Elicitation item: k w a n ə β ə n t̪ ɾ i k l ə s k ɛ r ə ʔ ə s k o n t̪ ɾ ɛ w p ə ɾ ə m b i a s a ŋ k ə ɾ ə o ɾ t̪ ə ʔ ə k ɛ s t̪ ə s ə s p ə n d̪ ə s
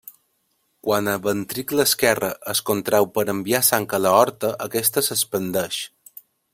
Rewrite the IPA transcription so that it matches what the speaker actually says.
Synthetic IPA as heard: k w a n ə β ə n t̪ ɾ i k l ə s k ɛ r ə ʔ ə s k o n t̪ ɾ ɛ w p ə ɾ ə m b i a s a ŋ k ə l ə ɔ ɾ t̪ ə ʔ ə k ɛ s t̪ ə s ə s p ə n d̪ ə ʃ